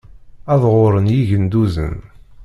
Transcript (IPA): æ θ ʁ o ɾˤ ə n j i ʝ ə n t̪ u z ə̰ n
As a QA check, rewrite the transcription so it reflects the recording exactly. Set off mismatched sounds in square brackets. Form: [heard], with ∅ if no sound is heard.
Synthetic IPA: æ [ð] ʁ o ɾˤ ə n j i ʝ ə n [d̪] u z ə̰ n